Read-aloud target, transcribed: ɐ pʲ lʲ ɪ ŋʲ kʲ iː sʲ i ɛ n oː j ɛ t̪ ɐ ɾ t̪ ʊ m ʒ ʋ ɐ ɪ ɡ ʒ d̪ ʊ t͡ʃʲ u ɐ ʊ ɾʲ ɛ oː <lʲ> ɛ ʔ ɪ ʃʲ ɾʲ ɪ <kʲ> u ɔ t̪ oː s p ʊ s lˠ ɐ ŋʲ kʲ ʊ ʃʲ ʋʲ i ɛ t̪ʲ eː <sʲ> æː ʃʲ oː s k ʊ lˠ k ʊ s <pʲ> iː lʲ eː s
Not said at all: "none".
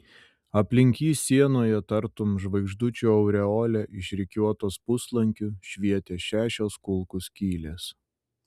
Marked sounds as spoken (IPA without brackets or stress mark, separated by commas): lʲ, kʲ, ʃʲ, kʲ